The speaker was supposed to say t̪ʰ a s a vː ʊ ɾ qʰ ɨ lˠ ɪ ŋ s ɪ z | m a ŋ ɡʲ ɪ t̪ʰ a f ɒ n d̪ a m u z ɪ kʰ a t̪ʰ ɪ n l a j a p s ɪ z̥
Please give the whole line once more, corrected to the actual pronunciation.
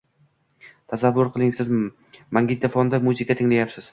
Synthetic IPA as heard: t̪ʰ a s a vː ʊ ɾ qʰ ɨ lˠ ɪ ŋ s ɪ z | m a ŋ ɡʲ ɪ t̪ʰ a f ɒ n d̪ a m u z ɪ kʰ a t̪ʰ ɪ ŋ l a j a p s ɪ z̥